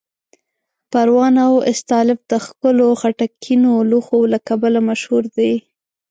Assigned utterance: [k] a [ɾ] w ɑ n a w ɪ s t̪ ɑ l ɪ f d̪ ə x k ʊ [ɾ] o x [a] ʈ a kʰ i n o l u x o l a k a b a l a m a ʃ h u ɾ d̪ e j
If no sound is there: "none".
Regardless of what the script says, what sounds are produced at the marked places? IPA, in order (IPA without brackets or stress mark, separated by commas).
p, ɾ, l, a